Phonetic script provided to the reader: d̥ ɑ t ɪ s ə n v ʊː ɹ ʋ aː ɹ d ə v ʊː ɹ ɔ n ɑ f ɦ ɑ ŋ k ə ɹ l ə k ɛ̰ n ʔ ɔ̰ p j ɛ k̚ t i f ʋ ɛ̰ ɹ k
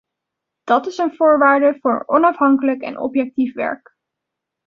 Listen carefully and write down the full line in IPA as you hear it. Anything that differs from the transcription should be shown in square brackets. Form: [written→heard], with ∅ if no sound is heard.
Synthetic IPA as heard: d̥ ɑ t ɪ s ə n v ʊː ɹ ʋ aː ɹ d ə v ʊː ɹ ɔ n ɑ f ɦ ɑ ŋ k ə [ɹ→∅] l ə k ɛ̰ n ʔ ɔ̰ p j ɛ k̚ t i f ʋ ɛ̰ ɹ k